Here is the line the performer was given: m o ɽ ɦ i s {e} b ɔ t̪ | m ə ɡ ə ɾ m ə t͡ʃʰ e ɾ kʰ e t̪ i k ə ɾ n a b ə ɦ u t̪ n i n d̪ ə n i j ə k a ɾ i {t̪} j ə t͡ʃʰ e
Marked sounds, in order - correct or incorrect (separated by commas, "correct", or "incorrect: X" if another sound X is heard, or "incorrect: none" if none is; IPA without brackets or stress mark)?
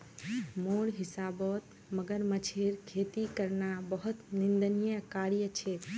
incorrect: a, incorrect: none